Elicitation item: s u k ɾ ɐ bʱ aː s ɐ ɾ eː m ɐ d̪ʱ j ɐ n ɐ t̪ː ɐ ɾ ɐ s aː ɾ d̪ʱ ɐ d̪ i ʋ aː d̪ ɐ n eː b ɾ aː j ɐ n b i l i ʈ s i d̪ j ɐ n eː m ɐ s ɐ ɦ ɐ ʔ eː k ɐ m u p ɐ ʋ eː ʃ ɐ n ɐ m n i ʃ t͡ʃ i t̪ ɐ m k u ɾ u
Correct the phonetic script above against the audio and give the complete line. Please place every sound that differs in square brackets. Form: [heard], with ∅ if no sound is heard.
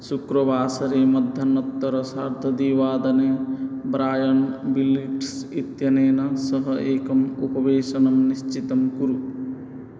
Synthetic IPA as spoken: s u k ɾ ɐ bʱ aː s ɐ ɾ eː m ɐ d̪ʱ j ɐ n ɐ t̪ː ɐ ɾ ɐ s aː ɾ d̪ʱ ɐ d̪ i ʋ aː d̪ ɐ n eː b ɾ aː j ɐ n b i l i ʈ s i [t̪] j ɐ n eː [n] ɐ s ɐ ɦ ɐ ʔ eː k ɐ m u p ɐ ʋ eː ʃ ɐ n ɐ m n i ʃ t͡ʃ i t̪ ɐ m k u ɾ u